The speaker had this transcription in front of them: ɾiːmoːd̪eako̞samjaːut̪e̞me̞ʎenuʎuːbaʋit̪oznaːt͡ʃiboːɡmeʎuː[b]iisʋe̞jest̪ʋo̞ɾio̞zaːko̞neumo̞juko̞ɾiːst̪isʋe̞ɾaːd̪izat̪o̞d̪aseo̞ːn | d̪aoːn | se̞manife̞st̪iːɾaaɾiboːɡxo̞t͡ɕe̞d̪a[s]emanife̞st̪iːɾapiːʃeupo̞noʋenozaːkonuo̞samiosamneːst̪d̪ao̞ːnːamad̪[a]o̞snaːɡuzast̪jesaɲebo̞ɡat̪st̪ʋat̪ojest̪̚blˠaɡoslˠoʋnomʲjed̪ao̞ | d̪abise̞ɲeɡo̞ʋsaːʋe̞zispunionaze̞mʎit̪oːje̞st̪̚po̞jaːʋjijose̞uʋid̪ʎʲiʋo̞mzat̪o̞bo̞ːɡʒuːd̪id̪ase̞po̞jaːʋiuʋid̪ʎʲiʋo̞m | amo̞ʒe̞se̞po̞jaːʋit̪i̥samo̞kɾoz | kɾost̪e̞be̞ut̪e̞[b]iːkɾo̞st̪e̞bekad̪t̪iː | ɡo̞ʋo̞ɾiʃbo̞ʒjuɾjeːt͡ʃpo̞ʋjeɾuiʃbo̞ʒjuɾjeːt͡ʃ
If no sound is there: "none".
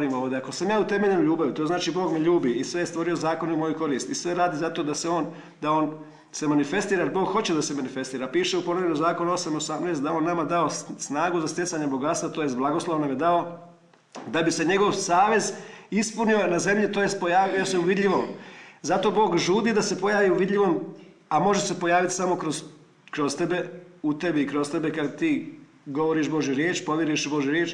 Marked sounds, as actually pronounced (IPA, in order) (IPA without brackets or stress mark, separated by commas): b, s, a, b